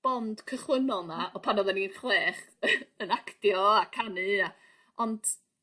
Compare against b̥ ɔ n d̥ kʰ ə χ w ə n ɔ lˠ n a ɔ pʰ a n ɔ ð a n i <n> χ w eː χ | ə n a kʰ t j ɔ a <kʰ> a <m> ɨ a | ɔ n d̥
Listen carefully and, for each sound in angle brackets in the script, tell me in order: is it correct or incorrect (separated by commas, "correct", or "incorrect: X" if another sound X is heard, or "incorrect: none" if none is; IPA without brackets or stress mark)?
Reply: correct, correct, incorrect: n